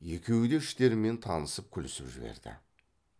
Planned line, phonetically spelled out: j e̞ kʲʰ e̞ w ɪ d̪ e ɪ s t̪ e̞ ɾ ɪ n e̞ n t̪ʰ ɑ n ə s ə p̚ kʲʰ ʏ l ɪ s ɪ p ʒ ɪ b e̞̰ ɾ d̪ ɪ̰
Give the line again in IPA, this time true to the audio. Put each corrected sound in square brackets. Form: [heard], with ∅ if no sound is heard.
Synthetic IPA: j e̞ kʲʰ e̞ w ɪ d̪ e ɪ [ʃ] t̪ e̞ ɾ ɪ [m] e̞ n t̪ʰ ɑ n ə s ə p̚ kʲʰ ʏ l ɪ s ɪ p ʒ ɪ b e̞̰ ɾ d̪ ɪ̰

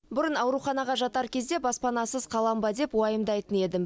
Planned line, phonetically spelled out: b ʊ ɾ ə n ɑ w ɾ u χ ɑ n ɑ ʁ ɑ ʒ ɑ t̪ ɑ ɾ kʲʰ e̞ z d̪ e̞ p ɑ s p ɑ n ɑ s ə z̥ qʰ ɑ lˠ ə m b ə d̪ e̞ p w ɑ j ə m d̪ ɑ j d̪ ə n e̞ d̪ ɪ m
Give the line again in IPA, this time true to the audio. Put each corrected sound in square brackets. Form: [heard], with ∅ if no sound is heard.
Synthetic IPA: b ʊ ɾ ə n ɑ w ɾ u χ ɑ n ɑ ʁ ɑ ʒ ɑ t̪ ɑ ɾ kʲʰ e̞ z d̪ e̞ [b] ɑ s p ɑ n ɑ s ə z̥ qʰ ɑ lˠ [ɑ] m b [ɑ] d̪ e̞ p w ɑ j ə m d̪ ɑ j [t̪] ə n e̞ d̪ ɪ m

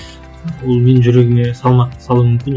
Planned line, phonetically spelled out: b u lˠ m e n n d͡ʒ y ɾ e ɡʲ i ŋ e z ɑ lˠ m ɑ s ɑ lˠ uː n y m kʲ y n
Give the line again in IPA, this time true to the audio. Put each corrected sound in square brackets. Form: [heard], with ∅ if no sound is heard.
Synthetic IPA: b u lˠ m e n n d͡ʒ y ɾ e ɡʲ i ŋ e [s] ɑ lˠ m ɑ s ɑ lˠ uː [m] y m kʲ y n

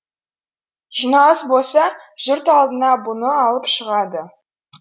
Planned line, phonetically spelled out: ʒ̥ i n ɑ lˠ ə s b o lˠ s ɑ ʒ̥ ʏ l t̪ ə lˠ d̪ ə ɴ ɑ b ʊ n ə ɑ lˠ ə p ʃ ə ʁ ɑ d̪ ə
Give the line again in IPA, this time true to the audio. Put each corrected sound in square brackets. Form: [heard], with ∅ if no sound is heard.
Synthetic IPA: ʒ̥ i n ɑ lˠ ə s b o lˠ s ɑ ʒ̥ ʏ [ɾ] t̪ [ɑ] lˠ d̪ ə [n] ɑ b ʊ n ə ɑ lˠ ə p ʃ ə ʁ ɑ d̪ ə

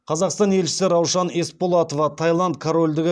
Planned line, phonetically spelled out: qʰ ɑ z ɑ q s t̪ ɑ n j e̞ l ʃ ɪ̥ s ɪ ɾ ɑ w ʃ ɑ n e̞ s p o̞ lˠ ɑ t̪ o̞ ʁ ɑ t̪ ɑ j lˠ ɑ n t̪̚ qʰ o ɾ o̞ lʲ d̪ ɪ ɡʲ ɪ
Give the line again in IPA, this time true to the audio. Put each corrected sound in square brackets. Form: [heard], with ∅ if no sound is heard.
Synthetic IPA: qʰ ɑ z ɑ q s t̪ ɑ n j e̞ l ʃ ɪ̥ s ɪ ɾ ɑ w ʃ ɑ n e̞ s p o̞ lˠ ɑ t̪ o̞ [v] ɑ [t̪ʰ] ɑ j lˠ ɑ n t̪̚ [kʰ] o ɾ o̞ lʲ d̪ ɪ ɡʲ ɪ

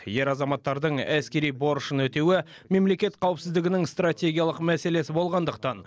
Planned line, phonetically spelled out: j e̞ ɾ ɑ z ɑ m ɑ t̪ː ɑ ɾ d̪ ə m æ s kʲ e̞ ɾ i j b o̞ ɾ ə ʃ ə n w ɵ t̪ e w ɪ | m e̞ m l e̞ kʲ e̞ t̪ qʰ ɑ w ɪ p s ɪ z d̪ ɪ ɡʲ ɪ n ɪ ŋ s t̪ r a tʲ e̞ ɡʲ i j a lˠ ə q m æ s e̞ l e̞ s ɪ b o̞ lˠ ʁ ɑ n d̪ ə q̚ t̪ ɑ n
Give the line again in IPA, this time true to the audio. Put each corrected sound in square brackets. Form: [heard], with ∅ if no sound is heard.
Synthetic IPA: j e̞ ɾ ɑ z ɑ m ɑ t̪ː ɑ ɾ d̪ ə [ɴ] æ s kʲ e̞ ɾ i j b o̞ ɾ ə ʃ ə n w ɵ t̪ e w ɪ | m e̞ m l e̞ kʲ e̞ t̪ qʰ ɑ w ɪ p s ɪ z d̪ ɪ ɡʲ ɪ n ɪ ŋ s t̪ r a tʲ e̞ ɡʲ i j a lˠ ə q m æ s e̞ l e̞ s ɪ b o̞ lˠ ʁ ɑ n d̪ ə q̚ t̪ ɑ n

